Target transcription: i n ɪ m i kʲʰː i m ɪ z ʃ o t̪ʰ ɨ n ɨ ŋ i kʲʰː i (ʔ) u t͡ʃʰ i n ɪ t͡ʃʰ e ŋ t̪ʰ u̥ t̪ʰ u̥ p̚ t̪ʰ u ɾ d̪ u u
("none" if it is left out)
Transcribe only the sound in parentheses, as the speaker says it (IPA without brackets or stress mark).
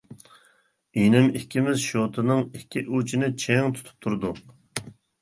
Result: ʔ